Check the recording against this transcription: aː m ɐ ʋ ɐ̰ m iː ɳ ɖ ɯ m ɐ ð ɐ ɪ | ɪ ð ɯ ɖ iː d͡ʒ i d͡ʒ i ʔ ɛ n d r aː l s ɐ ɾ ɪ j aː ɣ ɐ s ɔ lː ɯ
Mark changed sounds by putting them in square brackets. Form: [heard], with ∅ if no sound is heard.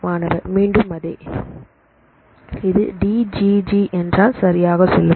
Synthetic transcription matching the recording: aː [n] ɐ ʋ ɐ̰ m iː ɳ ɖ ɯ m ɐ ð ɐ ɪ | ɪ ð ɯ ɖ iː d͡ʒ i d͡ʒ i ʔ ɛ n d r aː l s ɐ ɾ ɪ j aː ɣ ɐ s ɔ lː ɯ